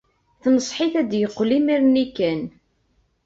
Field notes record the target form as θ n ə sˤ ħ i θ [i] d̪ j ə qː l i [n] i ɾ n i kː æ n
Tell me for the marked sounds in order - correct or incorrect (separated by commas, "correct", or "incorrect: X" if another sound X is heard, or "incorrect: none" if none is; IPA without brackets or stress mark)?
incorrect: æ, incorrect: m